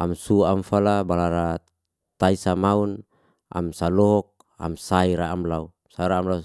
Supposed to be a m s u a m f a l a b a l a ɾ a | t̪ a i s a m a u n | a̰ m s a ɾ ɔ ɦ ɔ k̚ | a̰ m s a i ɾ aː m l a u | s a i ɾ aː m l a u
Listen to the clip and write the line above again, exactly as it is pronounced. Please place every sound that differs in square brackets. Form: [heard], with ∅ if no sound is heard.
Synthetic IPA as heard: a m s u a m f a l a b a l a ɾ a | t̪ a i s a m a u n | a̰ m s a [l] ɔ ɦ ɔ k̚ | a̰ m s a i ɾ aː m l a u | s a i ɾ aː m l a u